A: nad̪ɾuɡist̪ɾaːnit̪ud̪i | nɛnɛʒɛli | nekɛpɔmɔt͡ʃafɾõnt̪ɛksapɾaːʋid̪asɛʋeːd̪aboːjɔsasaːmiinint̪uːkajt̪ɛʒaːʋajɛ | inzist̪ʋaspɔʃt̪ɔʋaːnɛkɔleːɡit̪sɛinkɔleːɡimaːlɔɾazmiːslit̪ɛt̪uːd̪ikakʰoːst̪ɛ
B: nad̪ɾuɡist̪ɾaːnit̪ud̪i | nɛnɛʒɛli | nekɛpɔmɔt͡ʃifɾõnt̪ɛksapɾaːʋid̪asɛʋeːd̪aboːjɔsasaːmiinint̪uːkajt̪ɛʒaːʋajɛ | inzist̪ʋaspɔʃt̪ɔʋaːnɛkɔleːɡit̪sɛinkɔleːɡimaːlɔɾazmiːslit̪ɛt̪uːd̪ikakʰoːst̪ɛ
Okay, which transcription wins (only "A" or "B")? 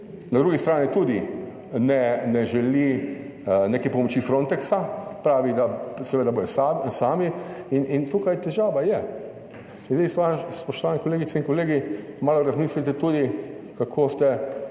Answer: B